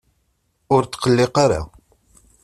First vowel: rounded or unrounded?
rounded